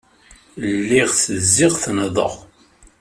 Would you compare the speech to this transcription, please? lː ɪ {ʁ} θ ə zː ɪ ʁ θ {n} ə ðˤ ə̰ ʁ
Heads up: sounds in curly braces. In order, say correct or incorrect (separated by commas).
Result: correct, correct